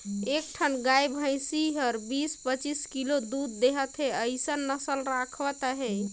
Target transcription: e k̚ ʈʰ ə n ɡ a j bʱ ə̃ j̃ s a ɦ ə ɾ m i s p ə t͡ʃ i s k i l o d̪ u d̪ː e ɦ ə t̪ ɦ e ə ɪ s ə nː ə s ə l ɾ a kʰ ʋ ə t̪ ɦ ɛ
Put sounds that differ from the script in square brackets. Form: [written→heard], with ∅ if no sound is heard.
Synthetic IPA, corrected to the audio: e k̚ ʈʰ ə n ɡ a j bʱ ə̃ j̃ s [a→i] ɦ ə ɾ [m→b] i s p ə t͡ʃ i s k i l o d̪ u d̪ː e ɦ ə t̪ ɦ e ə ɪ s ə nː ə s ə l ɾ a kʰ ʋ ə t̪ ɦ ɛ